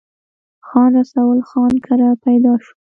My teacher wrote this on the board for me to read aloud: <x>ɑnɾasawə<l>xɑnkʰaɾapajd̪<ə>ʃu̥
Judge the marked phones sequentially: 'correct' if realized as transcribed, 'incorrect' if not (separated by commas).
correct, correct, incorrect